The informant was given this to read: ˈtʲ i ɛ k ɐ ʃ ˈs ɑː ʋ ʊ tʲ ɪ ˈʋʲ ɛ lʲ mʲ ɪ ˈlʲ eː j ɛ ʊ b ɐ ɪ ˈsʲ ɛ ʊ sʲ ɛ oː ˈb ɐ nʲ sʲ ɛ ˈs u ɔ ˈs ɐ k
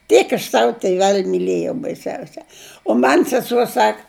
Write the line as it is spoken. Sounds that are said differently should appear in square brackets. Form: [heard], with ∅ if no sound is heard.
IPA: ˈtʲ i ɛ k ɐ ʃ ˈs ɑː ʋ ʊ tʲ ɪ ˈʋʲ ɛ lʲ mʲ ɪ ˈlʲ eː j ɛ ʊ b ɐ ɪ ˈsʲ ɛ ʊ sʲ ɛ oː [ˈm] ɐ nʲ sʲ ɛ ˈs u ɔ ˈs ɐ k